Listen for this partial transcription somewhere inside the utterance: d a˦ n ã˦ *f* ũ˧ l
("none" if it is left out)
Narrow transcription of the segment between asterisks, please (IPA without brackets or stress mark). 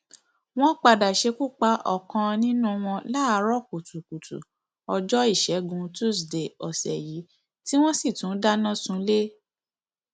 s